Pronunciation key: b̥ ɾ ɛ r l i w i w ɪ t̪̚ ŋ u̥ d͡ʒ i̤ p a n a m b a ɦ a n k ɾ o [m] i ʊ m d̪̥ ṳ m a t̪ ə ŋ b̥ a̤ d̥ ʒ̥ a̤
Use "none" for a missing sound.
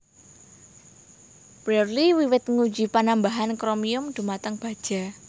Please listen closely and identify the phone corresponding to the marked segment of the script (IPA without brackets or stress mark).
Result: m